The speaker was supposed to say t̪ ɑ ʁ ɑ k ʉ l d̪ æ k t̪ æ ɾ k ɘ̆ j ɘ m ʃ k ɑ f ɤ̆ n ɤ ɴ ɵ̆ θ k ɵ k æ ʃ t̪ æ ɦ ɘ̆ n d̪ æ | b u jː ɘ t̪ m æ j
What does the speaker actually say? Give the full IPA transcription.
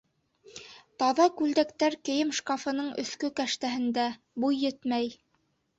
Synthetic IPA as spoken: t̪ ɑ ð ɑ k ʉ l d̪ æ k t̪ æ ɾ k ɘ̆ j ɘ m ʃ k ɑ f ɤ̆ n ɤ ɴ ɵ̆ θ k ɵ k æ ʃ t̪ æ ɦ ɘ̆ n d̪ æ | b u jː ɘ t̪ m æ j